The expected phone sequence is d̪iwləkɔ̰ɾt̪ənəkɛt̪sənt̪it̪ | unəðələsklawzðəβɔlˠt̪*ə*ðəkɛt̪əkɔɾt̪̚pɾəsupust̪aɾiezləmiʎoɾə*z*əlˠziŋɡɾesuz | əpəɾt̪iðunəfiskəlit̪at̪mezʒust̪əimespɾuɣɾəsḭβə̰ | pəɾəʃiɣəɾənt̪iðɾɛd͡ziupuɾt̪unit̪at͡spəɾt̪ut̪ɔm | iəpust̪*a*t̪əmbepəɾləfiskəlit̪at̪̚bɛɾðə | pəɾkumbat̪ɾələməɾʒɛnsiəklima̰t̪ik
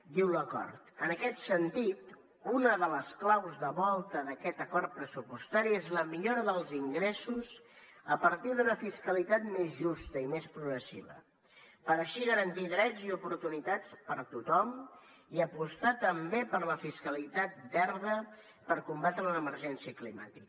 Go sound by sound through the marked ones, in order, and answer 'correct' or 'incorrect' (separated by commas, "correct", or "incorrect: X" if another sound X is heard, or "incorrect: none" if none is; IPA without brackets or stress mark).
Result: correct, incorrect: ð, correct